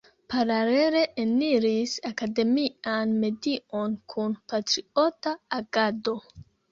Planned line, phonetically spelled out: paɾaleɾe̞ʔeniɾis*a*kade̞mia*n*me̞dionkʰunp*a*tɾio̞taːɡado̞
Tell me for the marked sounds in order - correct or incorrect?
correct, correct, correct

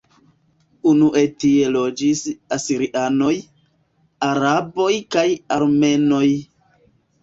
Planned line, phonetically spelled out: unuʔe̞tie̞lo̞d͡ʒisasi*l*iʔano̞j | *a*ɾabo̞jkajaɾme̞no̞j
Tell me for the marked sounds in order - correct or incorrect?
incorrect, correct

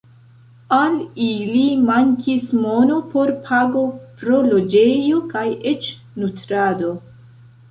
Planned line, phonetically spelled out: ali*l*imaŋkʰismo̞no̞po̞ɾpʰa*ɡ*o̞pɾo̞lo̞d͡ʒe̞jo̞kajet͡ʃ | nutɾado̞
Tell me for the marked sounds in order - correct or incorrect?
correct, correct

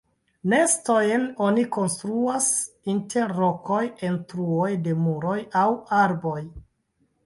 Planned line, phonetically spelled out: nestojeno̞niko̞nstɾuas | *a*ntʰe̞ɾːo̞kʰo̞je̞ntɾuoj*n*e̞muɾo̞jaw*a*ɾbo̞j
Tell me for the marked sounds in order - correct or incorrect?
incorrect, incorrect, correct

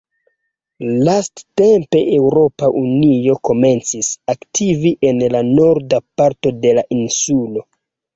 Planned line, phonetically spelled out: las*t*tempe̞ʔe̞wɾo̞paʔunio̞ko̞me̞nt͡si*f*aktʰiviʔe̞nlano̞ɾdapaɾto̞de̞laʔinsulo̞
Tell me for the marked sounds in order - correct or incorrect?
correct, incorrect

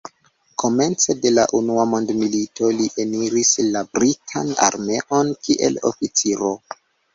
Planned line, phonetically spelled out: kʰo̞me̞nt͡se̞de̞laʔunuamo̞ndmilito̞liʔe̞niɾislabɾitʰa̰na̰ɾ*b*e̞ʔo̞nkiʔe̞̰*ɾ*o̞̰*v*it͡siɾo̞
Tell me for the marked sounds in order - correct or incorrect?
incorrect, incorrect, incorrect

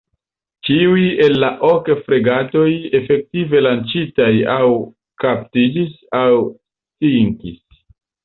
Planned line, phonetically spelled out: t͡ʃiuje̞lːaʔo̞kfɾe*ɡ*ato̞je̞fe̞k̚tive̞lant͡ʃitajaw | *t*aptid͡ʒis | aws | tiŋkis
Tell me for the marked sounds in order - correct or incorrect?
correct, incorrect

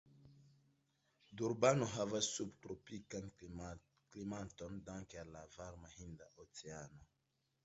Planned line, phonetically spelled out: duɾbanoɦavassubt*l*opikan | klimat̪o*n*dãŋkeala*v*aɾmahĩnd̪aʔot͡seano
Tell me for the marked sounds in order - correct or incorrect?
incorrect, correct, correct

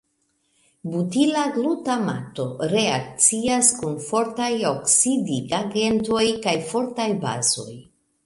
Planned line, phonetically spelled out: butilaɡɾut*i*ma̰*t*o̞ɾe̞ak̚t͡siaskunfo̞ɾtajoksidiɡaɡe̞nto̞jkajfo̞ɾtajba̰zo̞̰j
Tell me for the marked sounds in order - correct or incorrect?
incorrect, correct

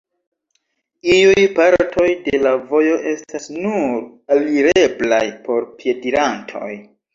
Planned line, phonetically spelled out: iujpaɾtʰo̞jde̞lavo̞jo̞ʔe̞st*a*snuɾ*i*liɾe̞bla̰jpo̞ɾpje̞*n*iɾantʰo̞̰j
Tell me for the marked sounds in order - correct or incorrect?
correct, incorrect, incorrect

